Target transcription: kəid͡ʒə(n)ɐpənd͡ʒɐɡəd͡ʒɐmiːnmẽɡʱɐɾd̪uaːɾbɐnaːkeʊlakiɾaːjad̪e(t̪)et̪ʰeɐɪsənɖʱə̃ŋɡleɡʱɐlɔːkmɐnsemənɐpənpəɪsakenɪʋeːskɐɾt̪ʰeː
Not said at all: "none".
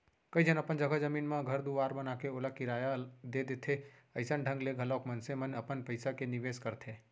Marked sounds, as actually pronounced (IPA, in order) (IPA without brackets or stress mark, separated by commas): n, d̪